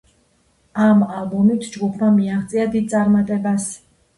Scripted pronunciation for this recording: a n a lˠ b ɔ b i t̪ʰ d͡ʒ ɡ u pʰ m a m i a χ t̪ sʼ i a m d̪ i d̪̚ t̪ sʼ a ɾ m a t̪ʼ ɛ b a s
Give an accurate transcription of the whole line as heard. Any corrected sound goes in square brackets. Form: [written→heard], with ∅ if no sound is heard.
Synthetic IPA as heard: a [n→m] a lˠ b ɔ [b→m] i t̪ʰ d͡ʒ ɡ u pʰ m a m i a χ t̪ sʼ i a [m→∅] d̪ i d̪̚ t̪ sʼ a ɾ m a t̪ʼ ɛ b a s